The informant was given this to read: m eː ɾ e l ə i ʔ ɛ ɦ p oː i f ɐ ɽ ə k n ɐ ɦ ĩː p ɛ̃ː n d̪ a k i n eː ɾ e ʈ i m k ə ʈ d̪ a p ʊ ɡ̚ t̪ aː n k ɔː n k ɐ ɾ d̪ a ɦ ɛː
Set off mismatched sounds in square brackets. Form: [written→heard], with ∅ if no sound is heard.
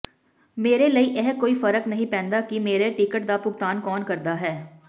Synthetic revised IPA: m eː ɾ e l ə i ʔ ɛ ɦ [p→k] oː i f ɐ [ɽ→ɾ] ə k n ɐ ɦ [ĩː→ĩ] p ɛ̃ː n d̪ a k i [n→m] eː ɾ e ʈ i [m→∅] k ə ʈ d̪ a p ʊ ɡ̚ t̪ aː n k ɔː n k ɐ ɾ d̪ a ɦ ɛː

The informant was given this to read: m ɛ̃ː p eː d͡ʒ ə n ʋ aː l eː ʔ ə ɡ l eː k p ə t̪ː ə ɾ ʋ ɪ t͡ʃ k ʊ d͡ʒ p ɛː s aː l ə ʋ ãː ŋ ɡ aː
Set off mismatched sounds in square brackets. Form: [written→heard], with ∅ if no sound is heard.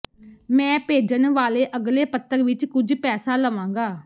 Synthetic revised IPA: m ɛ̃ː p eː d͡ʒ ə n ʋ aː l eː ʔ ə ɡ l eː [k→∅] p ə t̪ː ə ɾ ʋ ɪ t͡ʃ k ʊ d͡ʒ p ɛː s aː l ə ʋ ãː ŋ ɡ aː

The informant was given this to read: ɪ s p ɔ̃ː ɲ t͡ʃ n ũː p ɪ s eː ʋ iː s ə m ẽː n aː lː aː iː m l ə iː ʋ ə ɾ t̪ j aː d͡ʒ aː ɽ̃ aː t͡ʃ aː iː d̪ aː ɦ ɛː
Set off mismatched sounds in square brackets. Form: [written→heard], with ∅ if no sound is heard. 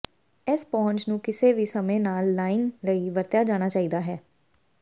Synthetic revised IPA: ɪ s p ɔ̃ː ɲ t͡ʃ n ũː [p→k] ɪ s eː ʋ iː s ə m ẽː n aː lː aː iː [m→n] l ə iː ʋ ə ɾ t̪ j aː d͡ʒ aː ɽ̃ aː t͡ʃ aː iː d̪ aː ɦ ɛː

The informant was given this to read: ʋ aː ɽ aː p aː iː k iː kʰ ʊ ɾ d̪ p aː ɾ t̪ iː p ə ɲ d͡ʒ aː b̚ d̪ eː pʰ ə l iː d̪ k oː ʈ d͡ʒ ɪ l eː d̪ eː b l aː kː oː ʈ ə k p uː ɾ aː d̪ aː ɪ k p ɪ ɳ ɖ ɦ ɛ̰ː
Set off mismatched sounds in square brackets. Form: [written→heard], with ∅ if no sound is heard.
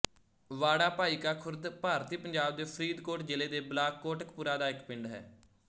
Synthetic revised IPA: ʋ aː ɽ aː p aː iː k [iː→aː] kʰ ʊ ɾ d̪ p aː ɾ t̪ iː p ə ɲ d͡ʒ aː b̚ d̪ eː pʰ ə [l→ɾ] iː d̪ k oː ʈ d͡ʒ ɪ l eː d̪ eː b l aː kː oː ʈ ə k p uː ɾ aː d̪ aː ɪ k p ɪ ɳ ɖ ɦ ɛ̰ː

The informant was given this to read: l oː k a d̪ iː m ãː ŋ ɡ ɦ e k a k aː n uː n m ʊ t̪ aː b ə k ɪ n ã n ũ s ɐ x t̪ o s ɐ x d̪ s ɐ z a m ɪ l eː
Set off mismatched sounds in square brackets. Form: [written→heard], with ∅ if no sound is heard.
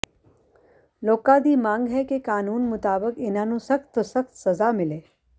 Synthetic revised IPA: l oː k a d̪ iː m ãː ŋ ɡ ɦ [e→ɛ] k [a→e] k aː n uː n m ʊ t̪ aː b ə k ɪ n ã n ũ s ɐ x t̪ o s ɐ x [d̪→t̪] s ɐ z a m ɪ l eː

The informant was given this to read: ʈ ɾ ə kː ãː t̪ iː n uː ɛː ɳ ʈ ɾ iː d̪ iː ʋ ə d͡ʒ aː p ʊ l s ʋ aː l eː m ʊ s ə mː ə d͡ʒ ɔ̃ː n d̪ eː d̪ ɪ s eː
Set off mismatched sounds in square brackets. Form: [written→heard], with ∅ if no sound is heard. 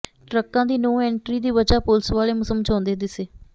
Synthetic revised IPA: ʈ ɾ ə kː ãː [t̪→d̪] iː n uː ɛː ɳ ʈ ɾ iː d̪ iː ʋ ə d͡ʒ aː p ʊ l s ʋ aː l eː m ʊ s ə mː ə d͡ʒ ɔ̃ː n d̪ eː d̪ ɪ s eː

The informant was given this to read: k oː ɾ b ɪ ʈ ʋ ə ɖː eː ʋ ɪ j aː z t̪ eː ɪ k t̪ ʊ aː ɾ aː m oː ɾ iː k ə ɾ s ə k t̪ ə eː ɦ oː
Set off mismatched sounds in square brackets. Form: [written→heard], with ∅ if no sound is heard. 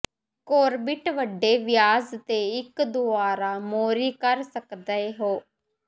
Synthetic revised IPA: k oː ɾ b ɪ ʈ ʋ ə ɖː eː ʋ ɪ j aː z t̪ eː ɪ k [t̪→d̪] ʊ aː ɾ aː m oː ɾ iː k ə ɾ s ə k [t̪→d̪] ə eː ɦ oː

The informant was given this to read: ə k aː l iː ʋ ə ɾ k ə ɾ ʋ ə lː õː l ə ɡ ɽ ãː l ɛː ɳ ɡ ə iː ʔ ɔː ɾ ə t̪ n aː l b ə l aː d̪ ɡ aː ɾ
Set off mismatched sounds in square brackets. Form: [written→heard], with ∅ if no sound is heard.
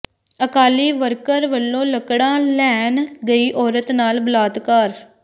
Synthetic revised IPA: ə k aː l iː ʋ ə ɾ k ə ɾ ʋ ə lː õː l ə [ɡ→k] ɽ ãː l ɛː [ɳ→n] ɡ ə iː ʔ ɔː ɾ ə t̪ n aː l b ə l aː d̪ [ɡ→k] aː ɾ

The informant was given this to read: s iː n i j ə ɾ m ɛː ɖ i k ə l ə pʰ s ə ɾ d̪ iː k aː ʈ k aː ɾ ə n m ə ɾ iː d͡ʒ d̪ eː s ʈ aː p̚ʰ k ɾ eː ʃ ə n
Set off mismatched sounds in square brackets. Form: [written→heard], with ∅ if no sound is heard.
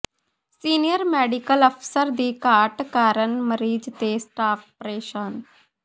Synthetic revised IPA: s iː n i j ə ɾ m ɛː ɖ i k ə l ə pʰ s ə ɾ d̪ iː k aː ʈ k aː ɾ ə n m ə ɾ iː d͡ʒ [d̪→t̪] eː s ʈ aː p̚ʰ [k→p] ɾ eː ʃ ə n

